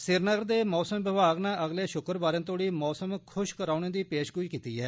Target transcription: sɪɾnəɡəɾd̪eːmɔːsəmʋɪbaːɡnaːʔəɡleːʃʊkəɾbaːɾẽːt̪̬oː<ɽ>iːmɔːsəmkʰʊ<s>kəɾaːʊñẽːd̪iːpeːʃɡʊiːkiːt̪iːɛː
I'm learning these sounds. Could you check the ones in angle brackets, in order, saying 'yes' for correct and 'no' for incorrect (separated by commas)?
yes, no